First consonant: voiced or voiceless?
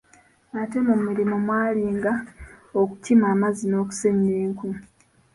voiceless